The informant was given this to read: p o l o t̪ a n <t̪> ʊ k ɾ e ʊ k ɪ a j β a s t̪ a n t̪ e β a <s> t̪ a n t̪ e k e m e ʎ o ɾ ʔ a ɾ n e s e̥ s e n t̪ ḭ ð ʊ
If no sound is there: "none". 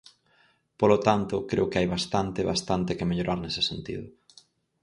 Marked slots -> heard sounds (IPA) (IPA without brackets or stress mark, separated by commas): t̪, s